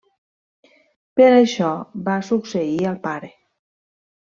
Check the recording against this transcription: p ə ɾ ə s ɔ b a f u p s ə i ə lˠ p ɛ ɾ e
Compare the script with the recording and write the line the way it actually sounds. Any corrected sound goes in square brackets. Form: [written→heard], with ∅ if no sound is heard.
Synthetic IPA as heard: p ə ɾ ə [s→ʃ] ɔ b a [f→s] u [p→k] s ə i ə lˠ p [ɛ→a] ɾ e

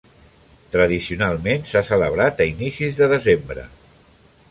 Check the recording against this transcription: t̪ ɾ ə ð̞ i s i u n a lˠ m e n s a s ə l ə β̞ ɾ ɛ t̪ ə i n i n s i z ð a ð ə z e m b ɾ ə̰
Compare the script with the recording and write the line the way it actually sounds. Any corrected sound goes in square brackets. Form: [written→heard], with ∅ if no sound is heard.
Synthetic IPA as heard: t̪ ɾ ə ð̞ i s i u n a lˠ m e n s a s ə l ə β̞ ɾ [ɛ→a] t̪ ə i n i [n→∅] s i z ð [a→ə] ð ə z e m b ɾ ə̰

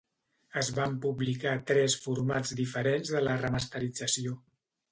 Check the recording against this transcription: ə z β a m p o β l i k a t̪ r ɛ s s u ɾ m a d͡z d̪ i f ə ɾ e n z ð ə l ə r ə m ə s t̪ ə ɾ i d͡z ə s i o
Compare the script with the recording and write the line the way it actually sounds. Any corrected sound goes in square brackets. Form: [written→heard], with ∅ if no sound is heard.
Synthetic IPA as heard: ə z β a m p [o→u] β l i k a t̪ [r→ɾ] ɛ s [s→f] u ɾ m a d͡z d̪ i f ə ɾ e n z ð ə l ə r ə m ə s t̪ ə ɾ i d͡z ə s i o

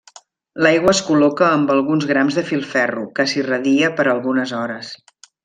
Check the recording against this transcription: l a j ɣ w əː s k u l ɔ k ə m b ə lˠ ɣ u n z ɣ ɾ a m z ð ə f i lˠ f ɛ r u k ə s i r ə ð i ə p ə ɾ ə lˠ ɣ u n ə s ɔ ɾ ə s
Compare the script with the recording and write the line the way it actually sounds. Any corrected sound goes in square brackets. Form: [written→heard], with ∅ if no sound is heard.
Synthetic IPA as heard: l a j ɣ w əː s k u l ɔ k [ə→əː] m b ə lˠ ɣ u n z ɣ ɾ a m z ð ə f i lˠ f ɛ r u k ə s i r ə ð i ə p ə ɾ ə lˠ ɣ u n ə [s→z] ɔ ɾ ə s

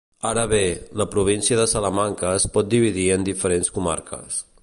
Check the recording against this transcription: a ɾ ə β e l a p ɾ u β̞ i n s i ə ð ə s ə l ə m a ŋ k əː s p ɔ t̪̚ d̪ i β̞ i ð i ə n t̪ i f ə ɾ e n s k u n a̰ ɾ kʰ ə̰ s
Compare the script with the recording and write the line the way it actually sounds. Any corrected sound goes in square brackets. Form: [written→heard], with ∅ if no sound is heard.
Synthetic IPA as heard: a ɾ ə β e l [a→ə] p ɾ u β̞ i n s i ə ð ə s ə l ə m a ŋ k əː s p ɔ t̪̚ d̪ i β̞ i ð i ə n [t̪→d̪] i f ə ɾ e n s k u [n→m] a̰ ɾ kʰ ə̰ s

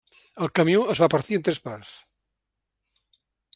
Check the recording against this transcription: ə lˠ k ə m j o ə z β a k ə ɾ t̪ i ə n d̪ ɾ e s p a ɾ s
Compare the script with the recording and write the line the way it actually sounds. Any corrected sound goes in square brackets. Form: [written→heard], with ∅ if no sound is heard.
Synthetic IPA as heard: ə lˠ k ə m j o ə z β a [k→p] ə ɾ t̪ i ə n [d̪→t̪] ɾ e s p a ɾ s

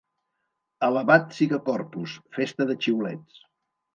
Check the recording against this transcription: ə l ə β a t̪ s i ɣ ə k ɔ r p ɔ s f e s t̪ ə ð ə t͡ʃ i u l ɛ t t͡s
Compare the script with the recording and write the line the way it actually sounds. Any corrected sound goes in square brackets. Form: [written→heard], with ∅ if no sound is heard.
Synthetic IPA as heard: ə l ə β a t̪ s i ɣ ə k ɔ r p [ɔ→u] s f e s t̪ ə ð ə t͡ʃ i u l ɛ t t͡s

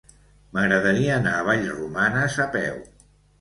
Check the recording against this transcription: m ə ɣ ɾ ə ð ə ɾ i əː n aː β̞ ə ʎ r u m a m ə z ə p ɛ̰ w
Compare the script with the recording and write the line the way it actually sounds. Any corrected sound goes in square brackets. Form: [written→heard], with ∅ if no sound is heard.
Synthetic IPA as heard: m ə ɣ ɾ ə ð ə ɾ i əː n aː β̞ [ə→a] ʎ r u m a [m→n] ə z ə p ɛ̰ w

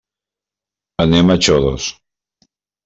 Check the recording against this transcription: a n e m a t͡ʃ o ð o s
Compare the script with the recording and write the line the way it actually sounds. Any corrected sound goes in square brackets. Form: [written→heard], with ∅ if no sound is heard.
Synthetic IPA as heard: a n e m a t͡ʃ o ð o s

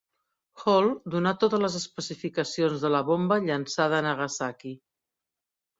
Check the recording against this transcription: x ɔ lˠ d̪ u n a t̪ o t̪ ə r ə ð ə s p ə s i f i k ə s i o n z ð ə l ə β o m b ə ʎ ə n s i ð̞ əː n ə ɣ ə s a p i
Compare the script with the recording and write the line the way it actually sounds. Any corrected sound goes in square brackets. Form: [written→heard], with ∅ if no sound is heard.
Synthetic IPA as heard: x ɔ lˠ d̪ u n a t̪ o t̪ ə [r→l] ə [ð→z] ə s p ə s i f i k ə s i o n z ð ə l ə β o m b ə ʎ ə n s [i→a] ð̞ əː n ə ɣ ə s a [p→k] i

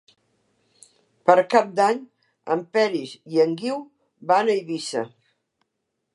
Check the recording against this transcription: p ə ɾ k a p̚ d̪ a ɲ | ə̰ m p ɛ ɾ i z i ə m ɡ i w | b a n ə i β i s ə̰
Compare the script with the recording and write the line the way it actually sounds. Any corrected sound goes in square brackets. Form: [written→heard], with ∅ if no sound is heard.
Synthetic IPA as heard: p ə ɾ k a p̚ d̪ a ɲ | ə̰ m p ɛ ɾ i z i ə [m→ŋ] ɡ i w | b a n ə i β i s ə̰

